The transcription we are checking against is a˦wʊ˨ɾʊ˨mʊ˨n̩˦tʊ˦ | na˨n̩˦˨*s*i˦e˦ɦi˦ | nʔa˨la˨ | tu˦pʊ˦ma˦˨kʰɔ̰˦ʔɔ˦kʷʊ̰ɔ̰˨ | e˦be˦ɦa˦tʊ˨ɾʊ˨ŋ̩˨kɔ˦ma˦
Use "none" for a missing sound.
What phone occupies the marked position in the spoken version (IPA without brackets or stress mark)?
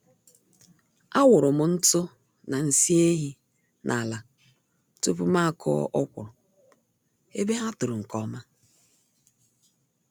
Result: s